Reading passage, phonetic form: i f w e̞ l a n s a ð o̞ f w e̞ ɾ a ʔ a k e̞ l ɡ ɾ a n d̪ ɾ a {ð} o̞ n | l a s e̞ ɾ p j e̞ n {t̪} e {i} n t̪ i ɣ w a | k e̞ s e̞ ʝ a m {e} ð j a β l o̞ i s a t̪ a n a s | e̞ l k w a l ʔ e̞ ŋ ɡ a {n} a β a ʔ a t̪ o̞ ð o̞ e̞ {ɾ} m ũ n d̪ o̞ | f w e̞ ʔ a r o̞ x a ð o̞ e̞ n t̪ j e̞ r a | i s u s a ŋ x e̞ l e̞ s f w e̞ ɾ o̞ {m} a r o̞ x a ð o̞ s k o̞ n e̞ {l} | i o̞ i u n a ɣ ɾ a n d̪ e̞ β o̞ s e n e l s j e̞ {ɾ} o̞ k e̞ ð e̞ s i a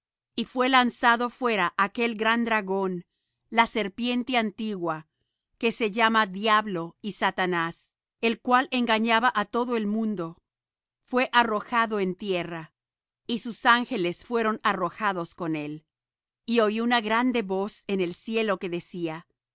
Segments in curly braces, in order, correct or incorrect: incorrect: ɣ, correct, incorrect: a, incorrect: a, incorrect: ɲ, incorrect: l, incorrect: n, correct, incorrect: l

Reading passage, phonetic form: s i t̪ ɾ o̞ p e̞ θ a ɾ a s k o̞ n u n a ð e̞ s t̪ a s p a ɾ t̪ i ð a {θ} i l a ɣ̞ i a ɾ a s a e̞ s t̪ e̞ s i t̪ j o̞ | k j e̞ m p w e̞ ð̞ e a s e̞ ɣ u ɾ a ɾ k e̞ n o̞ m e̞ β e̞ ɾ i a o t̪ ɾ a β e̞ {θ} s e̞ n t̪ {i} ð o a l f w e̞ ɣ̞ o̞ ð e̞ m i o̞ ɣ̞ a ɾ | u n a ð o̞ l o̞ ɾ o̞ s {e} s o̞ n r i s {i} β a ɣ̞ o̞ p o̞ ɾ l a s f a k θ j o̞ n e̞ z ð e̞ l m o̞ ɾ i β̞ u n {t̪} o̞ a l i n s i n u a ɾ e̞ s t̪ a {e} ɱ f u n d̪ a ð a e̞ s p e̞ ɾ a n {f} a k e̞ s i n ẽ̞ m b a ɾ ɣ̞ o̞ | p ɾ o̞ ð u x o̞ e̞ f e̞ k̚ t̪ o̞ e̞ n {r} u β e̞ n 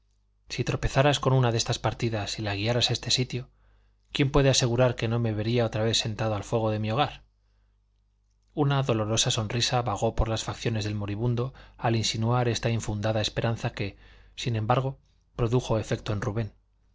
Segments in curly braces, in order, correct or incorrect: incorrect: s, correct, incorrect: a, incorrect: a, incorrect: a, incorrect: d̪, incorrect: i, incorrect: θ, correct

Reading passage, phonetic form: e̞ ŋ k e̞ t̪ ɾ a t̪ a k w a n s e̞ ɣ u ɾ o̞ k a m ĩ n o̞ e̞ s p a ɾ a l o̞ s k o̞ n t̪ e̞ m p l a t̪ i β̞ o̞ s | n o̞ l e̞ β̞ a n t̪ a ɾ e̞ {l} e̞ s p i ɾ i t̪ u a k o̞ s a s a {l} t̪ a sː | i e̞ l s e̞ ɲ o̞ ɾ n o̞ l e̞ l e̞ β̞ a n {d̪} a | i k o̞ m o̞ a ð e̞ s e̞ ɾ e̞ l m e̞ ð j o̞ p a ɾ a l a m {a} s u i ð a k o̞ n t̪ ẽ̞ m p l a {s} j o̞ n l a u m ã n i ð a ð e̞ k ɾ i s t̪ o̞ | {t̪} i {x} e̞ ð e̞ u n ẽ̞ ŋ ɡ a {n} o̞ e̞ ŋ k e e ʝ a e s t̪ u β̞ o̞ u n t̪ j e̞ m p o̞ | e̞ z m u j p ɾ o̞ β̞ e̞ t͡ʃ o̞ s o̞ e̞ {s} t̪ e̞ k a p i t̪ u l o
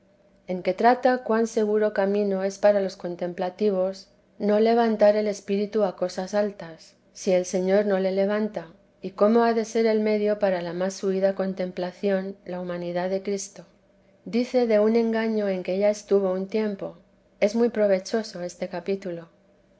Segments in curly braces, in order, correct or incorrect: correct, correct, incorrect: t̪, correct, incorrect: θ, incorrect: d̪, incorrect: θ, incorrect: ɲ, correct

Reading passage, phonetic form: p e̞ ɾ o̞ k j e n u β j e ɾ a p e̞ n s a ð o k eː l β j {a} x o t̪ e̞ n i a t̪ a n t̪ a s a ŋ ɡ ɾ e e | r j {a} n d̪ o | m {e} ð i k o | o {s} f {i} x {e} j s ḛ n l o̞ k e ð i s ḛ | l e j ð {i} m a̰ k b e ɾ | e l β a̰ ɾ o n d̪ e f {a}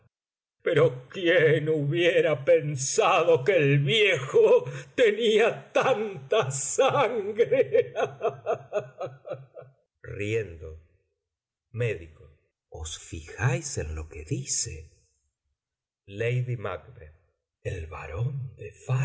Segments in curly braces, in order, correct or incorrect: incorrect: e, incorrect: e, correct, correct, correct, incorrect: a, correct, correct

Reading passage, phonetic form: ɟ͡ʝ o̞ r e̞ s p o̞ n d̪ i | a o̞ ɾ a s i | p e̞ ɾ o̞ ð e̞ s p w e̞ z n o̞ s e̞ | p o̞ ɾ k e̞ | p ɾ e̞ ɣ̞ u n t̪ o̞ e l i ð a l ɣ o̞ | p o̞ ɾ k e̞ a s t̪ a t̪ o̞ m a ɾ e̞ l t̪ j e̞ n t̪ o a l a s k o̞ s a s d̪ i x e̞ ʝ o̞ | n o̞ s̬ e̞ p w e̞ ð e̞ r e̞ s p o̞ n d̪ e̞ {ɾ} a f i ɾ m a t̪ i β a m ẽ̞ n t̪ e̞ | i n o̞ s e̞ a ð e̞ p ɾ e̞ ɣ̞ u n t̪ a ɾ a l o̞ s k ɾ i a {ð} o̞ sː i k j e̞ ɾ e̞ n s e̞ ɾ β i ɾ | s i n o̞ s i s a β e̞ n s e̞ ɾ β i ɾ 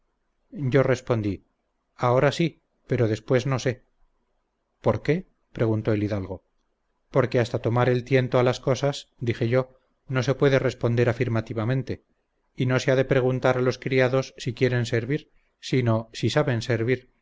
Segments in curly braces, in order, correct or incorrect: correct, correct

